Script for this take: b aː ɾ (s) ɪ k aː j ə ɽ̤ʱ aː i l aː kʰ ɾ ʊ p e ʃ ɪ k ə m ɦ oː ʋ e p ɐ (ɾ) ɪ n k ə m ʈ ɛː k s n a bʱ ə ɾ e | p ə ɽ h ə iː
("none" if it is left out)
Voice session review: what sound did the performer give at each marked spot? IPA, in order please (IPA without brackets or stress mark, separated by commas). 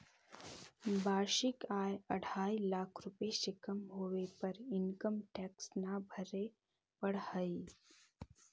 ʃ, ɾ